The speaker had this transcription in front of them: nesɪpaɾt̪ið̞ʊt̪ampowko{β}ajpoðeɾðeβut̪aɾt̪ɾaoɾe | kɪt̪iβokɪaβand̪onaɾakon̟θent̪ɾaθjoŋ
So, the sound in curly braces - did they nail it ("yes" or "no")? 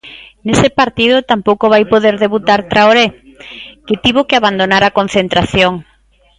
yes